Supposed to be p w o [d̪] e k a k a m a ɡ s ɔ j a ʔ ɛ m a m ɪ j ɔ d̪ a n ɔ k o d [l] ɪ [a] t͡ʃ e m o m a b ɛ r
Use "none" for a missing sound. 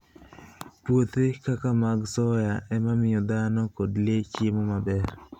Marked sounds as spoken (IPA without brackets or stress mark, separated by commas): t̪, l, e